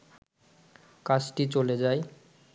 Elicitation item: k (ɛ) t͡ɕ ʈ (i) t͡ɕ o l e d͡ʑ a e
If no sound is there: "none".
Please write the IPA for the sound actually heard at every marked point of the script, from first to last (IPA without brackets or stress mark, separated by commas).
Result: a, i